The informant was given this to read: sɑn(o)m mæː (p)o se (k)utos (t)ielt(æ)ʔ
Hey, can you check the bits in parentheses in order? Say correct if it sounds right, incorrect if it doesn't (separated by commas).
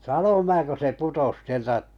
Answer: correct, incorrect, incorrect, incorrect, correct